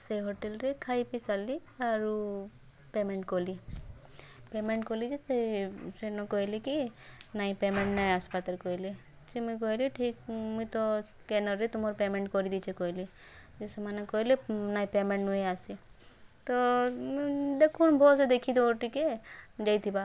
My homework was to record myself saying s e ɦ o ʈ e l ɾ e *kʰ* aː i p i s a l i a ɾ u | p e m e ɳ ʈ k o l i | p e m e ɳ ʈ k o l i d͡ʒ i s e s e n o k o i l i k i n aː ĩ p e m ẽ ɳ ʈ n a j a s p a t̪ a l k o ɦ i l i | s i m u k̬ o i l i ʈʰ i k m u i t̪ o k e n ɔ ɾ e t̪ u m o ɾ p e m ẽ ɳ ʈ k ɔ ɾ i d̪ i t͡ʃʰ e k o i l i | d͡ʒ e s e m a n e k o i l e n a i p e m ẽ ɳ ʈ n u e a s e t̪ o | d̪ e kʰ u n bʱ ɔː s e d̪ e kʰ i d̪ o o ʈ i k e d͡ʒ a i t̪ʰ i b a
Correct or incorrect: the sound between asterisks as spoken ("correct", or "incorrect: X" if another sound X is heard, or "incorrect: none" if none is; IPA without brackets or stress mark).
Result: correct